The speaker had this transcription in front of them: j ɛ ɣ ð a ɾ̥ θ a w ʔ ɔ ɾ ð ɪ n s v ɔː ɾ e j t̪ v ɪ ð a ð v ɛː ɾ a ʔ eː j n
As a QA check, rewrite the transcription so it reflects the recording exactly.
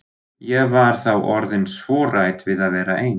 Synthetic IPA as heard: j ɛ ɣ v a ɾ̥ θ a w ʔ ɔ ɾ ð ɪ n s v ɔː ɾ a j t̪ v ɪ ð a ð v ɛː ɾ a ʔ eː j n